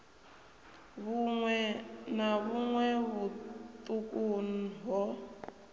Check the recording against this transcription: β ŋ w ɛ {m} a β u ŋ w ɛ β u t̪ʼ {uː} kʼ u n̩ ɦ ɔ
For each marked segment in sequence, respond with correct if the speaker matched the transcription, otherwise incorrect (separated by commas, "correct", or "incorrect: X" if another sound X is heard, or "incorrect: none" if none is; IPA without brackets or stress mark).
incorrect: n, incorrect: u